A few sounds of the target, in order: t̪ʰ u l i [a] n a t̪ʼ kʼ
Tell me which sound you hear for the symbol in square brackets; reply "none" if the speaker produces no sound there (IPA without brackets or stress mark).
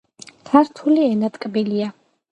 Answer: ɛ